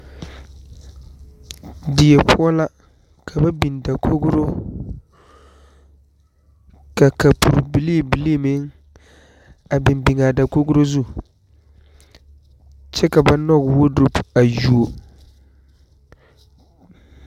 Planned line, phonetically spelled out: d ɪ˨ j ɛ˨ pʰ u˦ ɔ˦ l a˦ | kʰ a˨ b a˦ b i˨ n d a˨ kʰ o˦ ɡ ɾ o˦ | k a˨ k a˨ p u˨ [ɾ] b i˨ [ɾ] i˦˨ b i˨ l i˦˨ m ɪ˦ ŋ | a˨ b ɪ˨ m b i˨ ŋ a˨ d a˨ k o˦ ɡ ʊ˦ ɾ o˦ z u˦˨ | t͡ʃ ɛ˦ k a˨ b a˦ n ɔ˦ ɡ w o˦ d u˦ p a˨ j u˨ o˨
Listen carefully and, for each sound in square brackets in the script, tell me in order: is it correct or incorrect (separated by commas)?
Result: correct, incorrect